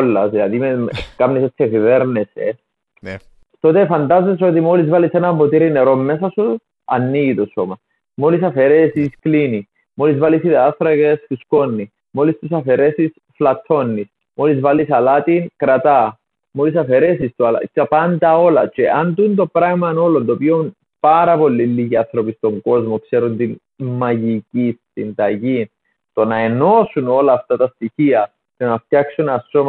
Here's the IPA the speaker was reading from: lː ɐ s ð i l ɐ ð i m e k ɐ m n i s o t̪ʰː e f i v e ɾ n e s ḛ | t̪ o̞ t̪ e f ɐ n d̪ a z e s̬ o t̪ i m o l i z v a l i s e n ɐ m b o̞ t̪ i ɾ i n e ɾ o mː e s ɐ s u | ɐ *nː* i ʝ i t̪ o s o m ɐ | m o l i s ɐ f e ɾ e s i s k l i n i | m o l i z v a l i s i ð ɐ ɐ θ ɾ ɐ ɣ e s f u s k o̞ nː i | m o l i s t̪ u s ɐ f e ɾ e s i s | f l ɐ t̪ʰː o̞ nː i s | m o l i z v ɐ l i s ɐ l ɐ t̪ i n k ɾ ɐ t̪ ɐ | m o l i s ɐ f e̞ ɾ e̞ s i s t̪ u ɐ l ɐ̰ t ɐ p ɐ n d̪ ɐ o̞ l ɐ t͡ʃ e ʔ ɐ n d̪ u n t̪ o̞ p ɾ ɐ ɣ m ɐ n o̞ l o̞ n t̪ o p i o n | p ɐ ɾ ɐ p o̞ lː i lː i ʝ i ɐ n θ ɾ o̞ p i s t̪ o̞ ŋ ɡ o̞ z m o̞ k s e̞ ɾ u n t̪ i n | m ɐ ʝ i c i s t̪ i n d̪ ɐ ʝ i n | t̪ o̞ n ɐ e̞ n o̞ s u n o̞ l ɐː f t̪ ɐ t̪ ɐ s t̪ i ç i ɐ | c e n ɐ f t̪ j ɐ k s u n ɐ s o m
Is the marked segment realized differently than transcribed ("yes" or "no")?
no